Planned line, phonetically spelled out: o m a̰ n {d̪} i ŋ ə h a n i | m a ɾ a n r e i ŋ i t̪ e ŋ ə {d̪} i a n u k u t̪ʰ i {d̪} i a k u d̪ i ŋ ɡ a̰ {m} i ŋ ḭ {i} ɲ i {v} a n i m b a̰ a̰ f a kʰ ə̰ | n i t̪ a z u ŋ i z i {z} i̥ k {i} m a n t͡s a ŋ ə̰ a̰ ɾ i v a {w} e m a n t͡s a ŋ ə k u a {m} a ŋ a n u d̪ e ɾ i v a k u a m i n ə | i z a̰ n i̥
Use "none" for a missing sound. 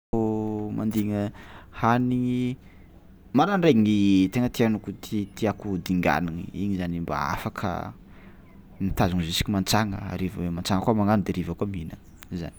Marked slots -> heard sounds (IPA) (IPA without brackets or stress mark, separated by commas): d̪, t̪, t̪, n, i, z, s, i, w, m